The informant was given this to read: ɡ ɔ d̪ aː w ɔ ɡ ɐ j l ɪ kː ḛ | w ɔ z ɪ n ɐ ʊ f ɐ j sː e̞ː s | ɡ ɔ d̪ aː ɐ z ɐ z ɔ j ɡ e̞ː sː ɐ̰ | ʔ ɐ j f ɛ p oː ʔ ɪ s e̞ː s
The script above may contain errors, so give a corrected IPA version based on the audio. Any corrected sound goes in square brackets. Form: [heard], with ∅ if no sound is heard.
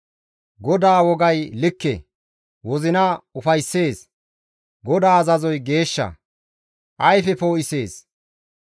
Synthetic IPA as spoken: ɡ ɔ d̪ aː w ɔ ɡ ɐ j l ɪ kː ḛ | w ɔ z ɪ n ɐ ʊ f ɐ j sː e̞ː s | ɡ ɔ d̪ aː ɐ z ɐ z ɔ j ɡ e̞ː [ʃː] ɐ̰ | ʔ ɐ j f ɛ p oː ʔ ɪ s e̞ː s